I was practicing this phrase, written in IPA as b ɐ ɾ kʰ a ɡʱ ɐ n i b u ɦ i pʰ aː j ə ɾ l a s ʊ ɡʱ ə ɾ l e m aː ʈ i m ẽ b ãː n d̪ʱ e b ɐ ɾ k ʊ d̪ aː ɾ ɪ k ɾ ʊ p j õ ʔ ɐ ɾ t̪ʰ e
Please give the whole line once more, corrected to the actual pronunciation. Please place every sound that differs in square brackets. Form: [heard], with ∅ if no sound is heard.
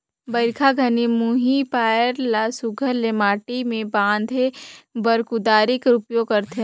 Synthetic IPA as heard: b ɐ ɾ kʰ a ɡʱ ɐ n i [m] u ɦ i [p] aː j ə ɾ l a s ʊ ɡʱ ə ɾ l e m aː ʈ i m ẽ b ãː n d̪ʱ e b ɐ ɾ k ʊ d̪ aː ɾ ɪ k ɾ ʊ p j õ [k] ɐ ɾ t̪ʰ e